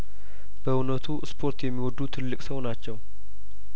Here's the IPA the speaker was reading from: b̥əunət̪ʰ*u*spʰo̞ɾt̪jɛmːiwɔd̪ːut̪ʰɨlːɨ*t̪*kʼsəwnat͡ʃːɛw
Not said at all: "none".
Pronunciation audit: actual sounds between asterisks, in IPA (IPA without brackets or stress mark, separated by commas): u, none